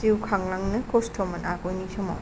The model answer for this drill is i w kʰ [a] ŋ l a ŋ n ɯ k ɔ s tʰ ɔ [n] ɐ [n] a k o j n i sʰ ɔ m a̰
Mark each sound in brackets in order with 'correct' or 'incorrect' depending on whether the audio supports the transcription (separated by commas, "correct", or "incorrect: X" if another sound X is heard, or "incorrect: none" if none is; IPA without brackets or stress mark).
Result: correct, incorrect: m, correct